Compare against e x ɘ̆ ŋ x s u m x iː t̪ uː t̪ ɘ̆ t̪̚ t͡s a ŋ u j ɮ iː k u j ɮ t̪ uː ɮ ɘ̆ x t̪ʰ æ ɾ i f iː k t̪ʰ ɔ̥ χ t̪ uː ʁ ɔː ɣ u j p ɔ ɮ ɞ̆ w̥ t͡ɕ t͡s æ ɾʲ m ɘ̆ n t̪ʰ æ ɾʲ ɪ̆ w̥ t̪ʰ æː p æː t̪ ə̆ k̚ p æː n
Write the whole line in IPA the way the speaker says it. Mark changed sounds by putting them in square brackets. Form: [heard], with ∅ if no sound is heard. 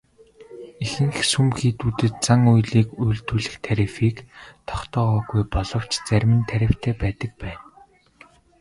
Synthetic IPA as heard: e x ɘ̆ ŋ x s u m x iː t̪ uː t̪ ɘ̆ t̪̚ t͡s a ŋ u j ɮ iː k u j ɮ t̪ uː ɮ ɘ̆ x t̪ʰ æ ɾ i f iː k t̪ʰ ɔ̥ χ t̪ [ɔː] ʁ ɔː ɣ u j p ɔ ɮ ɞ̆ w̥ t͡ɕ t͡s æ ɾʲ m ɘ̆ n t̪ʰ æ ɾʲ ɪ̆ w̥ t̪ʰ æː p æː t̪ ə̆ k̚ p æː n